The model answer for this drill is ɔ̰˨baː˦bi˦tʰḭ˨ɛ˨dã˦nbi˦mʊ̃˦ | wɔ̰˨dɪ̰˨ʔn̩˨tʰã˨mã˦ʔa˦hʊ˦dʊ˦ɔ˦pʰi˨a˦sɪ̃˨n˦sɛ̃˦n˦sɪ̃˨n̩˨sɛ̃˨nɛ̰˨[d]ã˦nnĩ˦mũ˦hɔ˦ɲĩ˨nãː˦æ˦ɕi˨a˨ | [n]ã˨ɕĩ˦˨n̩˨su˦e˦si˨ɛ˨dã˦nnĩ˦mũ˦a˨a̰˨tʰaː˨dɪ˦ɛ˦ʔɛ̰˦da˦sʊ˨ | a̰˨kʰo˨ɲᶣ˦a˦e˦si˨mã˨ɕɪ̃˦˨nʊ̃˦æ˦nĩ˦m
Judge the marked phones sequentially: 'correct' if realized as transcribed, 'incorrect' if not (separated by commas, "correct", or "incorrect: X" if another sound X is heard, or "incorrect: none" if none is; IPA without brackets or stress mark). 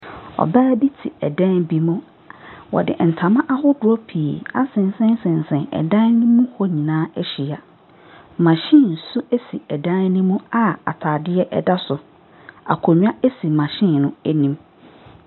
correct, incorrect: m